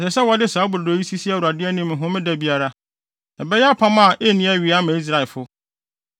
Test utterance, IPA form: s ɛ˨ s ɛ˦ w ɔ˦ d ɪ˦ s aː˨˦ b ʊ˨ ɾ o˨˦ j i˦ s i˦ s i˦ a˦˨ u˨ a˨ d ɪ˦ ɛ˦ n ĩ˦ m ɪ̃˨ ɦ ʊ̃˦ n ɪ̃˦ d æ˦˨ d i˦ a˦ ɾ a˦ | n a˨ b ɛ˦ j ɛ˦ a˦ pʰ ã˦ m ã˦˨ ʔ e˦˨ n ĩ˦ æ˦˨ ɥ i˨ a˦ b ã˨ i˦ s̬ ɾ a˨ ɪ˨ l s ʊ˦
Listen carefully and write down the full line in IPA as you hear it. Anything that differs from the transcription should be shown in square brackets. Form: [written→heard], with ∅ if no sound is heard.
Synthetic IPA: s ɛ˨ s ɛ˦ w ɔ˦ d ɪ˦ s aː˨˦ b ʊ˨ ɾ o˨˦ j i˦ s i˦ s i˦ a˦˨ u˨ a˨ d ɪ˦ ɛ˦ n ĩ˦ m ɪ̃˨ ɦ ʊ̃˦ [n→m] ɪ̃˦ d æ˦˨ [d→b] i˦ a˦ ɾ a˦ | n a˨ b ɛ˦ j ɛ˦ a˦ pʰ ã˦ m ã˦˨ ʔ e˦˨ n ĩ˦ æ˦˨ ɥ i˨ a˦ [b→m] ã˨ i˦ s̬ ɾ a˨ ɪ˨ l [s→f] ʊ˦